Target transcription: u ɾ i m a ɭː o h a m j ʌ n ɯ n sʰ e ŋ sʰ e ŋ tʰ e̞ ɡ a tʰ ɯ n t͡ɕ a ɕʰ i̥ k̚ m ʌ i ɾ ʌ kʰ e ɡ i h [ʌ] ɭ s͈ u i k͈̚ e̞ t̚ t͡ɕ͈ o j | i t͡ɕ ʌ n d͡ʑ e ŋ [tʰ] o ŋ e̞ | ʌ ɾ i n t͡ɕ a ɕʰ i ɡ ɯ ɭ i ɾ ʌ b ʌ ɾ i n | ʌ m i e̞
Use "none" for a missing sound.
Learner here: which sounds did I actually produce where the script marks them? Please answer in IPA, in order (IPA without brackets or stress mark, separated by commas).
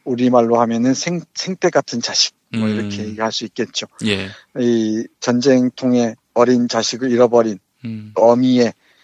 a, tʰ